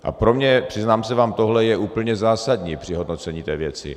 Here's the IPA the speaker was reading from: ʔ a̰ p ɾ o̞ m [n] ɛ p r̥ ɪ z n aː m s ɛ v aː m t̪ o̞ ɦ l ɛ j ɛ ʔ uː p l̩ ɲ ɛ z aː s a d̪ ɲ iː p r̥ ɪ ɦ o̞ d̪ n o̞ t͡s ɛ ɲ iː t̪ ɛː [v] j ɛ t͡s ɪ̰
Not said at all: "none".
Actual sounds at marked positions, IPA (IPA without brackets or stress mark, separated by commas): ɲ, v